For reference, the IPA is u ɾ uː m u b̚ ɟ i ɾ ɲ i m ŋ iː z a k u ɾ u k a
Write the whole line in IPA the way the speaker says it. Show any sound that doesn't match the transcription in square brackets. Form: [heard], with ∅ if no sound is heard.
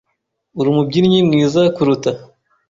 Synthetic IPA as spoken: u ɾ [u] m u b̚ ɟ i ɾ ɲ i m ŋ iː z a k u ɾ u [t] a